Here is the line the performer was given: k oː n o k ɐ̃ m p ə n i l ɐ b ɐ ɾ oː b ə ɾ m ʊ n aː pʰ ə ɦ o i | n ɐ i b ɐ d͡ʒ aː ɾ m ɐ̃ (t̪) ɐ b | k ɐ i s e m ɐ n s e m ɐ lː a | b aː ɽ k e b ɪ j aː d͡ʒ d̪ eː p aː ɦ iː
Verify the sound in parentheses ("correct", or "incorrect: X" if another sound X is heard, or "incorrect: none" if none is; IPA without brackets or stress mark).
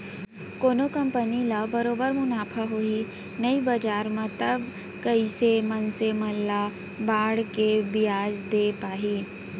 correct